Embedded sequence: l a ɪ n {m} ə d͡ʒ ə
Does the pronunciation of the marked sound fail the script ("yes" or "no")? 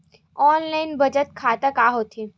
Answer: yes